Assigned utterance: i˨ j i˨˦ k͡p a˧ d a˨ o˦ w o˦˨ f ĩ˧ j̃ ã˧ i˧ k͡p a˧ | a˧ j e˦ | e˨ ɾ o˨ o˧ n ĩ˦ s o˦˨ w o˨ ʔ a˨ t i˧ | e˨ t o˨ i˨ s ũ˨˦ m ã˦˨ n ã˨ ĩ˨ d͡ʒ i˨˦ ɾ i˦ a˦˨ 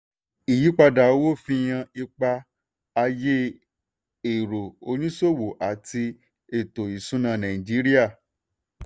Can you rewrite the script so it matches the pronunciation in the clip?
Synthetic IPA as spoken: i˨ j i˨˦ k͡p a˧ d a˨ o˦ w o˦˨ f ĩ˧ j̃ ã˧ i˧ k͡p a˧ | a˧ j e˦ | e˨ ɾ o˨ o˧ n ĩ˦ s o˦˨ w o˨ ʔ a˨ t i˧ | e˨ t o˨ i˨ s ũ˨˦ n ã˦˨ n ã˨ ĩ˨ d͡ʒ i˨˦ ɾ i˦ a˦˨